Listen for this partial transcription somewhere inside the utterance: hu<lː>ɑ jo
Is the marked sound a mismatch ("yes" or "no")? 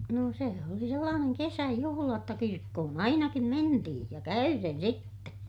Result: yes